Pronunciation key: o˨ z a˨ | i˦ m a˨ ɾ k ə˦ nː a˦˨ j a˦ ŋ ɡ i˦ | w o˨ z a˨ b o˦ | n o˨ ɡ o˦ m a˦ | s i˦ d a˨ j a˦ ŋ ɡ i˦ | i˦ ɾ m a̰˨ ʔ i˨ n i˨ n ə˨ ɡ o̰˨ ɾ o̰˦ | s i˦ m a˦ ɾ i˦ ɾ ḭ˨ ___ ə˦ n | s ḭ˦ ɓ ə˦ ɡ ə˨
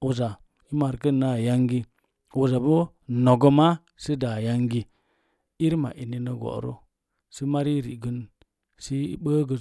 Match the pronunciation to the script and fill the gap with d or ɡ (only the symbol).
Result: ɡ